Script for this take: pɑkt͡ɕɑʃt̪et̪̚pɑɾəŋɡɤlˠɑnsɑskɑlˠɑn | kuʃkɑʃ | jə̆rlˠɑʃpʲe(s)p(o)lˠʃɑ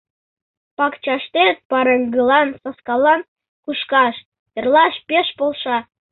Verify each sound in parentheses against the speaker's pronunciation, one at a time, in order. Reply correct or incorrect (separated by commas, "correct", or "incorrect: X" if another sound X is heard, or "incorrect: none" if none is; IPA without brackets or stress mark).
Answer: incorrect: ʃ, correct